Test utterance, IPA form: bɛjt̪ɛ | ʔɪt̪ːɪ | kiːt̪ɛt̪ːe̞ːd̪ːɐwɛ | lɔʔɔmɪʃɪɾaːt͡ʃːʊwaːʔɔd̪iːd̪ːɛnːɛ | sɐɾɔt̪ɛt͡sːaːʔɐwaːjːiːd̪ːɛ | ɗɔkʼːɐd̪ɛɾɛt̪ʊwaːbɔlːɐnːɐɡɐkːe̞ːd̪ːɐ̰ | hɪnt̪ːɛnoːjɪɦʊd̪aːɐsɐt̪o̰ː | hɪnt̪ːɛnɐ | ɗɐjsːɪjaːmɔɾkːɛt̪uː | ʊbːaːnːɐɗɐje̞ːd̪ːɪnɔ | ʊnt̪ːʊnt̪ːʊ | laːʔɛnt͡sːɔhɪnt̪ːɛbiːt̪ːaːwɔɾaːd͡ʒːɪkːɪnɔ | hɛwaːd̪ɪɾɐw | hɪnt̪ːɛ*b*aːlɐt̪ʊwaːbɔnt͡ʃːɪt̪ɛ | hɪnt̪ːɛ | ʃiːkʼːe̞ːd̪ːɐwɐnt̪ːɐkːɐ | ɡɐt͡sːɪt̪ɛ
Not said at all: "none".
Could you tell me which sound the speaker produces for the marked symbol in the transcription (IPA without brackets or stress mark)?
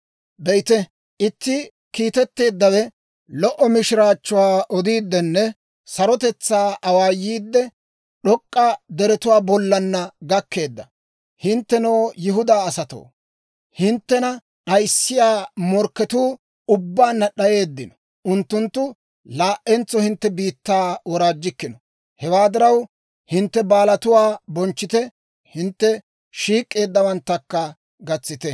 b